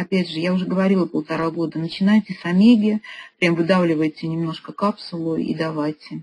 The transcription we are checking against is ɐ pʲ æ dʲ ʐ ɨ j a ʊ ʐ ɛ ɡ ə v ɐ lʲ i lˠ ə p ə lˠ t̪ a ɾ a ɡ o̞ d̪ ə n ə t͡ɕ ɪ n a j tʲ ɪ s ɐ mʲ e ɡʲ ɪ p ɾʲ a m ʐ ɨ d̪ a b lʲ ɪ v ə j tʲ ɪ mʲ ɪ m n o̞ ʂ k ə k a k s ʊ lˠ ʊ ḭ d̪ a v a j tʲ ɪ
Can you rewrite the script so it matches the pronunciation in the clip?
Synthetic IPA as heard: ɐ pʲ æ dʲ ʐ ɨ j a ʊ ʐ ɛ ɡ ə v ɐ ɾʲ i lˠ ə p ə lˠ t̪ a ɾ a ɡ o̞ d̪ ə n ə t͡ɕ ɪ n a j tʲ ɪ s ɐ mʲ e ɡʲ ɪ p ɾʲ a m v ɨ d̪ a v lʲ ɪ v ə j tʲ ɪ nʲ ɪ m n o̞ ʂ k ə k a p s ʊ lˠ ʊ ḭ d̪ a v a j tʲ ɪ